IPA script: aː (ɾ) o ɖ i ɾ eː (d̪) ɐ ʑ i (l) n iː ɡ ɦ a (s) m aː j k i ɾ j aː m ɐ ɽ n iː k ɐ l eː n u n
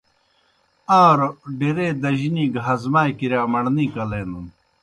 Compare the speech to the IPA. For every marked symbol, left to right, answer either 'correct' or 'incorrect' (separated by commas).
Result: correct, correct, incorrect, incorrect